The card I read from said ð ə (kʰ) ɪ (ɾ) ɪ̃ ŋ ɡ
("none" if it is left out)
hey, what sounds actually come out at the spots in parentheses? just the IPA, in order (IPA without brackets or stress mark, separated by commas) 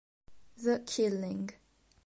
kʰ, l